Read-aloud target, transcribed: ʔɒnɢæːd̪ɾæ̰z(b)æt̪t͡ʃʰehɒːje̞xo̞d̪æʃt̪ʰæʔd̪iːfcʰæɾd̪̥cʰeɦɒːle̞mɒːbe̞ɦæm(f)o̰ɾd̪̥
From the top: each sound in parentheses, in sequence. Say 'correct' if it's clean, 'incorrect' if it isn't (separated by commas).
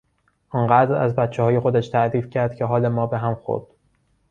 correct, incorrect